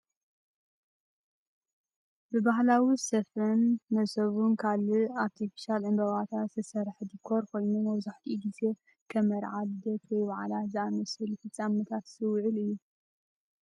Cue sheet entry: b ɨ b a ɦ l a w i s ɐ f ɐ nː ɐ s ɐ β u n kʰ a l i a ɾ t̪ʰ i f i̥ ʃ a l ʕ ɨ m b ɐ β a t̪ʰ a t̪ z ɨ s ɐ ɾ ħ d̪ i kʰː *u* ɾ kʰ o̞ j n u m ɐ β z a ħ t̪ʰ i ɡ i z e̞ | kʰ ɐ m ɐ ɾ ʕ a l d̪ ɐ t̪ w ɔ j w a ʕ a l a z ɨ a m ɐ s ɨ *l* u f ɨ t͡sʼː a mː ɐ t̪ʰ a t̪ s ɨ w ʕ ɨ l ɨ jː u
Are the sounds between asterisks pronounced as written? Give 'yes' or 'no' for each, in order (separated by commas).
no, yes